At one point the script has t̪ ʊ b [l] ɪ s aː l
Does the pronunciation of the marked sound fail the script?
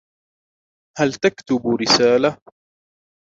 yes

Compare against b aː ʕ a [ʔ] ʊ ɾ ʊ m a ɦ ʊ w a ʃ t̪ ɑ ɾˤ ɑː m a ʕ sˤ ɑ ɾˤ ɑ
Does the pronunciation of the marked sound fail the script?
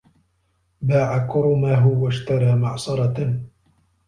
yes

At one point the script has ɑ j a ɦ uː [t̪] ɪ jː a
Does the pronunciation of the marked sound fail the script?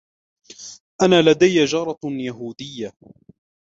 yes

